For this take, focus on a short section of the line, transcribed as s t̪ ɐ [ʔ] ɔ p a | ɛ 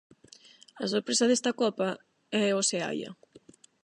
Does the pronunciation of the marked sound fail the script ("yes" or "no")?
yes